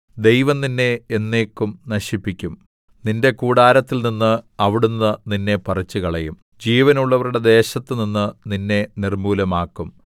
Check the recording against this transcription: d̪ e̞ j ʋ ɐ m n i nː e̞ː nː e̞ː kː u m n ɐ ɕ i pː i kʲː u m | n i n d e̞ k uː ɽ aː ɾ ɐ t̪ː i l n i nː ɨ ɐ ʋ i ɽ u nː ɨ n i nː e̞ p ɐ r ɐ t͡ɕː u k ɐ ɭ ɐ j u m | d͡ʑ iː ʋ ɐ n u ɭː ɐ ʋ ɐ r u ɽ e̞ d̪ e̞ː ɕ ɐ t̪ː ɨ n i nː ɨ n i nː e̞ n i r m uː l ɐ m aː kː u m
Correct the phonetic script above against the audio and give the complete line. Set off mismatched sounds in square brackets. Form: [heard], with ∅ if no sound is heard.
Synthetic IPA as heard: d̪ e̞ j ʋ ɐ m n i nː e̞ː nː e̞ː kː u m n ɐ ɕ i pː i kʲː u m | n i n d e̞ k uː ɽ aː ɾ ɐ t̪ː i l n i nː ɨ ɐ ʋ i ɽ u nː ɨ n i nː e̞ p ɐ r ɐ t͡ɕː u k ɐ ɭ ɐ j u m | d͡ʑ iː ʋ ɐ n u ɭː ɐ ʋ ɐ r u ɽ e̞ d̪ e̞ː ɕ ɐ t̪ː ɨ n i nː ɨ n i nː e̞ n i r m uː l ɐ m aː kː u m

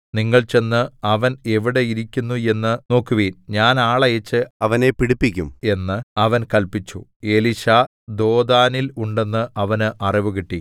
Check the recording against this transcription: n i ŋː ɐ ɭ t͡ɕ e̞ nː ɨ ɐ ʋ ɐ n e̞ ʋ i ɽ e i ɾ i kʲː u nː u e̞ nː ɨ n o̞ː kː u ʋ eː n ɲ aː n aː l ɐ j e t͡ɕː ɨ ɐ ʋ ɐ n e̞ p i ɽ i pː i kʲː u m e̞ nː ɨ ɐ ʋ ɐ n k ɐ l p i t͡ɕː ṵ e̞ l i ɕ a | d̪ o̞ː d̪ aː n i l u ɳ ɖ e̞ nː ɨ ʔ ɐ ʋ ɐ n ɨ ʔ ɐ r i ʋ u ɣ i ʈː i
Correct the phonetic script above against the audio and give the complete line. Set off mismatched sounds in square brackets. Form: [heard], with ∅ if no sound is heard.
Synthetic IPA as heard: n i ŋː ɐ ɭ t͡ɕ e̞ nː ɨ ɐ ʋ ɐ n e̞ ʋ i ɽ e i ɾ i kʲː u nː u e̞ nː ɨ n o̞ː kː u ʋ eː n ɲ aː n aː [ɭ] ɐ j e t͡ɕː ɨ ɐ ʋ ɐ n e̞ p i ɽ i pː i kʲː u m e̞ nː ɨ ɐ ʋ ɐ n k ɐ l p i t͡ɕː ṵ e̞ l i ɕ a | d̪ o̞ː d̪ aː n i l u ɳ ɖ e̞ nː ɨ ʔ ɐ ʋ ɐ n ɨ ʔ ɐ r i ʋ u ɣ i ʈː i

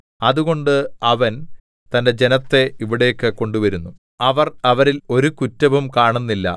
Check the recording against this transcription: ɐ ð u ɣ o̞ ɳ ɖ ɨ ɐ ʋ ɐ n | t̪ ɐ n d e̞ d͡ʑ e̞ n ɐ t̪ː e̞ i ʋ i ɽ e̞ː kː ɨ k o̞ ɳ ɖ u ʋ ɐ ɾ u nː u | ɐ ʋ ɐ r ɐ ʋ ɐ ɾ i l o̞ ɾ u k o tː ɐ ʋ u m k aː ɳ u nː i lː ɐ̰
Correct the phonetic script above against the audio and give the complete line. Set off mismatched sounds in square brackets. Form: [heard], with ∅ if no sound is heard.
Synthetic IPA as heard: ɐ ð u ɣ o̞ ɳ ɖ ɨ ɐ ʋ ɐ n | t̪ ɐ n d e̞ d͡ʑ e̞ n ɐ t̪ː e̞ i ʋ i ɽ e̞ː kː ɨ k o̞ ɳ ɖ u ʋ ɐ ɾ u nː u | ɐ ʋ ɐ r ɐ ʋ ɐ ɾ i l o̞ ɾ u k [u] tː ɐ ʋ u m k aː ɳ u nː i lː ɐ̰

